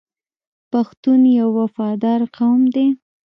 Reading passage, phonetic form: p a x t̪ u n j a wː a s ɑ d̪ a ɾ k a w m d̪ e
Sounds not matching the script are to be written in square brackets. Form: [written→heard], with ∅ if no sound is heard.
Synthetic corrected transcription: p a x t̪ u n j a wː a [s→f] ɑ d̪ [a→ɑ] ɾ [k→q] a w m d̪ e